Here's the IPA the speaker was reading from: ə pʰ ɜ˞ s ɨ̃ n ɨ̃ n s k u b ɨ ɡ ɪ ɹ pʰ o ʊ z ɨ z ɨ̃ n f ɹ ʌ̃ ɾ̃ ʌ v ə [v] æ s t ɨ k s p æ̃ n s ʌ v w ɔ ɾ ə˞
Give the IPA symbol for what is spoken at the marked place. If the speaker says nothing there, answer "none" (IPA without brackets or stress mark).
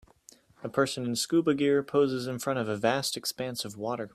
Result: v